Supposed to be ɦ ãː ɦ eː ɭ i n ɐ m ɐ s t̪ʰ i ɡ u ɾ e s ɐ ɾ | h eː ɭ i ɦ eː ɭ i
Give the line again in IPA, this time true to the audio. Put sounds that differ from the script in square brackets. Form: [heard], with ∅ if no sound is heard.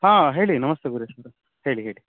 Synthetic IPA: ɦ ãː ɦ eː ɭ i n ɐ m ɐ s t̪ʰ [e] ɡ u ɾ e s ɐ ɾ | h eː ɭ i ɦ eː ɭ i

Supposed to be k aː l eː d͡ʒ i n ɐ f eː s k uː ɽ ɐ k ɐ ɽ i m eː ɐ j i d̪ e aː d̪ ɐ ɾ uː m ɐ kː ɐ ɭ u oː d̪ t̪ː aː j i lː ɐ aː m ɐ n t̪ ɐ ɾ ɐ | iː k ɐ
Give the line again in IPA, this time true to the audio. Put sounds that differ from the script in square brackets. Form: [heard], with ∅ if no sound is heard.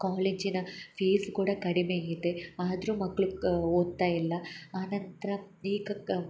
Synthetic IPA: k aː l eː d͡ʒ i n ɐ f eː s k uː ɽ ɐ k ɐ ɽ i m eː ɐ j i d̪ e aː d̪ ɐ ɾ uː m ɐ kː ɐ ɭ u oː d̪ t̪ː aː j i lː ɐ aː [n] ɐ n t̪ ɐ ɾ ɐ | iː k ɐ

